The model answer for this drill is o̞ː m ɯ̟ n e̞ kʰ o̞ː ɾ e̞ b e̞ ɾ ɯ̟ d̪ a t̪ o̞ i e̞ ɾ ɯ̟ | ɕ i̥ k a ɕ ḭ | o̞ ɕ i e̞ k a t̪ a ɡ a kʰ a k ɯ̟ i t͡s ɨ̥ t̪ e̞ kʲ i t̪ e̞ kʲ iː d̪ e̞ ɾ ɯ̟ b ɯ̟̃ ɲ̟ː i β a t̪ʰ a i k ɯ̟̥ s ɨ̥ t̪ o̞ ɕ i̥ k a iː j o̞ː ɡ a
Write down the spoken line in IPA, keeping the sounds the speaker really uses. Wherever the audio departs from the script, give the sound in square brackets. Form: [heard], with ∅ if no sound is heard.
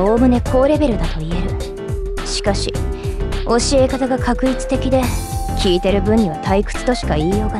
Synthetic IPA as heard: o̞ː m ɯ̟ n e̞ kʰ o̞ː ɾ e̞ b e̞ ɾ ɯ̟ d̪ a t̪ o̞ i e̞ ɾ ɯ̟ | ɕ i̥ k a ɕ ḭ | o̞ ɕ i e̞ k a t̪ a ɡ a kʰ a k ɯ̟ i t͡s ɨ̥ t̪ e̞ kʲ i [d̪] e̞ kʲ iː [t̪] e̞ ɾ ɯ̟ b ɯ̟̃ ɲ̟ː i β a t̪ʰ a i k ɯ̟̥ [t͡s] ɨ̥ t̪ o̞ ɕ i̥ k a iː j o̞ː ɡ a